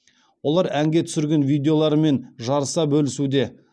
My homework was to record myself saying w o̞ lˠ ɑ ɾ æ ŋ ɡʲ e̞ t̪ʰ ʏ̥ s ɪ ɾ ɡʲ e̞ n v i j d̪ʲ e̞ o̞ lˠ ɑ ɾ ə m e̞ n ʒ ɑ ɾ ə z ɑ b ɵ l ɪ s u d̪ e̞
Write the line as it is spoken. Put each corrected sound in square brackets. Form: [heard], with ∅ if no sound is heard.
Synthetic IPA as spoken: w o̞ lˠ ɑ ɾ æ ŋ ɡʲ e̞ t̪ʰ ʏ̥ s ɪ ɾ ɡʲ e̞ n v i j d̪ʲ e̞ o̞ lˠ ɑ ɾ ə m e̞ n ʒ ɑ ɾ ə [s] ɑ b ɵ l ɪ s u d̪ e̞